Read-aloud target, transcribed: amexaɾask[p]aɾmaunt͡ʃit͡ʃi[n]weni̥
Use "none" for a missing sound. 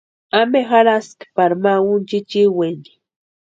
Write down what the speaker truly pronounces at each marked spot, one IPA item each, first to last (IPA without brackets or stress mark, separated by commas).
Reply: p, none